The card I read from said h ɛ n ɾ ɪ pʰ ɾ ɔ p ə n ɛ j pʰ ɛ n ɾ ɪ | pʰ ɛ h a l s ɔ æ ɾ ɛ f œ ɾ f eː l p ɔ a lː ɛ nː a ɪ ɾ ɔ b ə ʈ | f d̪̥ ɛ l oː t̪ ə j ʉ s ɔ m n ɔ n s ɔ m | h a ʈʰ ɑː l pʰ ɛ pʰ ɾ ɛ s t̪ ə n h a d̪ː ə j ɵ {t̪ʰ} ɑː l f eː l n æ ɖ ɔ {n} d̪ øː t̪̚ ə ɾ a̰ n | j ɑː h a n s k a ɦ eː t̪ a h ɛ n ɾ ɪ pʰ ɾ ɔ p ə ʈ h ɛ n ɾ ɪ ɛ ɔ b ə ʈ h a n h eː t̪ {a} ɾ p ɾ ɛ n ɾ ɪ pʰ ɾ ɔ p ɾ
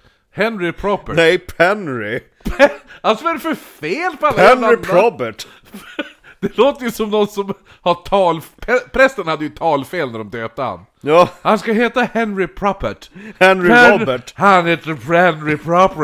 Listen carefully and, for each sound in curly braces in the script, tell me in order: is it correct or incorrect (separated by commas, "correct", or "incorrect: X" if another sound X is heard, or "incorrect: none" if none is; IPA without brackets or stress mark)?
correct, incorrect: m, incorrect: ə